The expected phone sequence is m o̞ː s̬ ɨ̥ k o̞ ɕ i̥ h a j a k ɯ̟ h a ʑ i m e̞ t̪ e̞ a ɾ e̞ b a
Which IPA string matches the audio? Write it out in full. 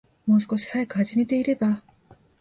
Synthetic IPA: m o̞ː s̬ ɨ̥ k o̞ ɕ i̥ h a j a k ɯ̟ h a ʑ i m e̞ t̪ e̞ i ɾ e̞ b a